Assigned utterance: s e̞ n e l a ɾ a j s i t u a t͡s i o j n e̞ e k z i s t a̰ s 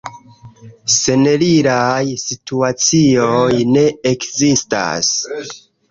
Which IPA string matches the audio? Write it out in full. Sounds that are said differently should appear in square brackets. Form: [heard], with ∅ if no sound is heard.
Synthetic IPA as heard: s e̞ n e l [i] ɾ a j s i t u a t͡s i o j n e̞ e k z i s t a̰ s